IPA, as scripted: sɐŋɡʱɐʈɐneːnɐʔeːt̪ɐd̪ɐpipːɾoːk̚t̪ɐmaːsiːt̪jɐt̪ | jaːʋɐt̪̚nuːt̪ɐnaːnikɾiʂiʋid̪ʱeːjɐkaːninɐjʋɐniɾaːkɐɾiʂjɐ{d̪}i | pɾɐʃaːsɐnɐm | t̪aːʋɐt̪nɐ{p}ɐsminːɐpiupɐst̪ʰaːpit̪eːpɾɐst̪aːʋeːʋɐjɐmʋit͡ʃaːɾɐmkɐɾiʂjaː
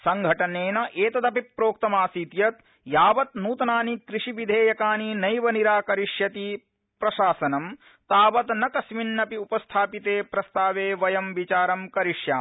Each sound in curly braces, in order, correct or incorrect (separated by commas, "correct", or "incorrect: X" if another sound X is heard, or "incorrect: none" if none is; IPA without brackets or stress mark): incorrect: t̪, incorrect: k